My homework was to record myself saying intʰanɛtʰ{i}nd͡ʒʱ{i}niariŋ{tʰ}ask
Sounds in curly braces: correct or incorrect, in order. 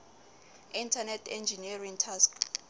incorrect: ɛ, correct, correct

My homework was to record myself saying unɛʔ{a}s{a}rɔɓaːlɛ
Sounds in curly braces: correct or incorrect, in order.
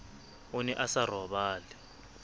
correct, correct

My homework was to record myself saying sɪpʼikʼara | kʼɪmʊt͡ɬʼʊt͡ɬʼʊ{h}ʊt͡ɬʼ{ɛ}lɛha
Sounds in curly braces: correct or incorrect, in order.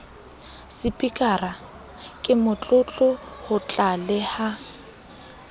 correct, incorrect: a

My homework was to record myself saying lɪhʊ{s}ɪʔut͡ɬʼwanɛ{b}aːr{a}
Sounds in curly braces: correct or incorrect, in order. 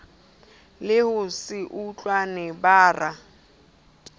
correct, correct, correct

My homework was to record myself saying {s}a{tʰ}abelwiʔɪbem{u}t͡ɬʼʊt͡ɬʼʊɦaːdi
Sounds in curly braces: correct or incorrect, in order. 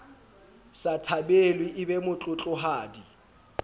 correct, correct, incorrect: ʊ

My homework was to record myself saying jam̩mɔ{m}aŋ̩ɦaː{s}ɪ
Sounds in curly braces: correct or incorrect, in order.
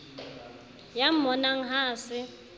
incorrect: n, correct

